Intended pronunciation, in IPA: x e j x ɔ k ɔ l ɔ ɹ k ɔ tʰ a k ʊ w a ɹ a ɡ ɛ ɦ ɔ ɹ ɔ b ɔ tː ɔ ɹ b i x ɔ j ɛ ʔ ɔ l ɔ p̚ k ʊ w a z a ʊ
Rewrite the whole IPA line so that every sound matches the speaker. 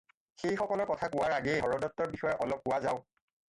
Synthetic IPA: x e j x ɔ k ɔ l ɔ ɹ k ɔ tʰ a k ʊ w a ɹ a ɡ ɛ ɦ ɔ ɹ ɔ d ɔ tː ɔ ɹ b i x ɔ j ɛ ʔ ɔ l ɔ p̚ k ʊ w a z a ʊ